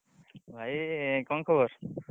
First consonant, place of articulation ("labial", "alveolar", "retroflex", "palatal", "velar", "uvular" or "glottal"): labial